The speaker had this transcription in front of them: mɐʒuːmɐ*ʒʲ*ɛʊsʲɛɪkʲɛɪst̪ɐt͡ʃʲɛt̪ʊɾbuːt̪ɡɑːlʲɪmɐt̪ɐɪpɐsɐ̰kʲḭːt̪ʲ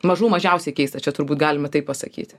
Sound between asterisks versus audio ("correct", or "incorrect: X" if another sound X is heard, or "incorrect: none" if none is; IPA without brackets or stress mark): correct